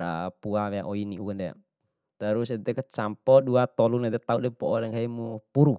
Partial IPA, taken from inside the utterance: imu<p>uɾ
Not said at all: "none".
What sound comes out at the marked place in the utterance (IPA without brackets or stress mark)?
p